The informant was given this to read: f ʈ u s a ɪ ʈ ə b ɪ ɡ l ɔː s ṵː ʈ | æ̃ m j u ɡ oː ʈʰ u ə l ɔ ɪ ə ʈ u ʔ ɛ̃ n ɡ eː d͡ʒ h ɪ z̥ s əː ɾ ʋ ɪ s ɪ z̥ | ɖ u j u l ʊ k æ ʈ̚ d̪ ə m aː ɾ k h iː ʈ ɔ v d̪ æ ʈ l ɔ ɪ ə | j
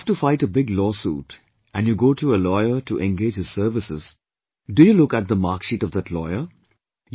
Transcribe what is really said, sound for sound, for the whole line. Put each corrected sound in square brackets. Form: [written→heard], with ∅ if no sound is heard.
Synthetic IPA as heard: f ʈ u [s→f] a ɪ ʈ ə b ɪ ɡ l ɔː s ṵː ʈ | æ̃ [m→n] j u ɡ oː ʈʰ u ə l ɔ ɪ ə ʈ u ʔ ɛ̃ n ɡ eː d͡ʒ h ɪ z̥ s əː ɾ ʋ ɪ s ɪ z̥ | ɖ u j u l ʊ k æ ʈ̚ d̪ ə m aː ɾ k [h→ʃ] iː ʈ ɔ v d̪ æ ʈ l ɔ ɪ ə | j